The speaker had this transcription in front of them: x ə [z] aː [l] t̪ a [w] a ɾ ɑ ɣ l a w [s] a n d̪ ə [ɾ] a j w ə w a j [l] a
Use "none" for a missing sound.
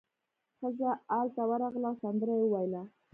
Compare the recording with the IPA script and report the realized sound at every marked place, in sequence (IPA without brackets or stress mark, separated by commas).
z, l, w, s, ɾ, l